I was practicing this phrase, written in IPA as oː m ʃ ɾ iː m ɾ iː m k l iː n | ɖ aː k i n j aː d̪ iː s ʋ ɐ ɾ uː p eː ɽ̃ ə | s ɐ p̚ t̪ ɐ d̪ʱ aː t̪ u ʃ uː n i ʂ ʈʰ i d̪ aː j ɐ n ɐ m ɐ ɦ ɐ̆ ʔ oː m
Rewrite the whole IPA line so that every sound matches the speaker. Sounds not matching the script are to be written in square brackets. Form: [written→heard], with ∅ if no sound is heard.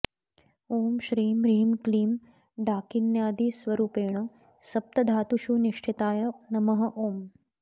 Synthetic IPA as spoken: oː m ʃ ɾ iː m ɾ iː m k l iː [n→m] | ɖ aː k i n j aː d̪ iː s ʋ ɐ ɾ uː p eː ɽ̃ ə | s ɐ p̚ t̪ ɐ d̪ʱ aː t̪ u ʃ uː n i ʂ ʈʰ i [d̪→t̪] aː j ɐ n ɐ m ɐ ɦ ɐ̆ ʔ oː m